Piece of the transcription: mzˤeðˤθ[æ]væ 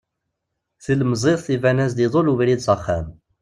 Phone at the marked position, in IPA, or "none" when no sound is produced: i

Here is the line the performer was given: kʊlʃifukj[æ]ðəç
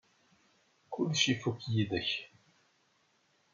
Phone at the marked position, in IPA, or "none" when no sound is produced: i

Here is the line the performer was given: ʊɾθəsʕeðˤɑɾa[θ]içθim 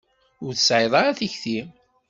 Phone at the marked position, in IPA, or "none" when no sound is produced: θ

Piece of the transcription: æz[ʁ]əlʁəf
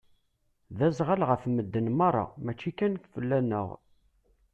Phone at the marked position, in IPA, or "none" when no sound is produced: ʁ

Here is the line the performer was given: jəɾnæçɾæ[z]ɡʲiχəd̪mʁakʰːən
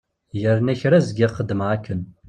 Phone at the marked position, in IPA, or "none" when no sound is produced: z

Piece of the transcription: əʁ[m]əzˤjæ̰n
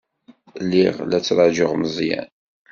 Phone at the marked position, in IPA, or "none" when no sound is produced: m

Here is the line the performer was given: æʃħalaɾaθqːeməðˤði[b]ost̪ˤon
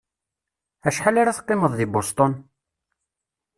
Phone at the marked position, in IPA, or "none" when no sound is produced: b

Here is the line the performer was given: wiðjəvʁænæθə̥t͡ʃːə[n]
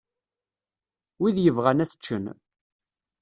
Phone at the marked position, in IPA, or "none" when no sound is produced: n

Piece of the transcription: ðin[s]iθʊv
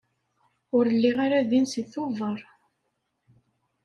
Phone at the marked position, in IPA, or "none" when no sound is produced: s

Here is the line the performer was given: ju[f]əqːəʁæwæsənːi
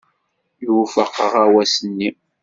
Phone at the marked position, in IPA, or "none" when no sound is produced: f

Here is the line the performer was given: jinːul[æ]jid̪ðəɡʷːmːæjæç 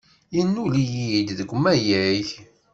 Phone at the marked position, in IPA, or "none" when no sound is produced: i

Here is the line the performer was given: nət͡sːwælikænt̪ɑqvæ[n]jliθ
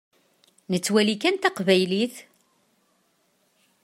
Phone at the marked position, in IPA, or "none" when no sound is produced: none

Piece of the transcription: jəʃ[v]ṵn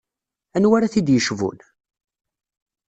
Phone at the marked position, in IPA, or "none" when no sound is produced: v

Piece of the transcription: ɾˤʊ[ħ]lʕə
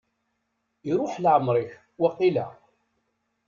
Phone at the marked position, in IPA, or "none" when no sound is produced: ħ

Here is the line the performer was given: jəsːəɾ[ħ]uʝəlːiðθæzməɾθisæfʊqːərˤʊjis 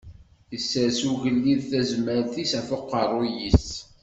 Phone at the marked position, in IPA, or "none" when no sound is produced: s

